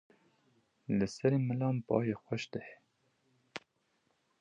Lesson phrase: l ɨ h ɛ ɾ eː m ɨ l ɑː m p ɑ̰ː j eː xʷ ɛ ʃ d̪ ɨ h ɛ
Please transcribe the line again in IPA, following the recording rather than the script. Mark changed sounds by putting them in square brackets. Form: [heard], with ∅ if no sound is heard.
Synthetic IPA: l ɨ [s] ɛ ɾ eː m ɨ l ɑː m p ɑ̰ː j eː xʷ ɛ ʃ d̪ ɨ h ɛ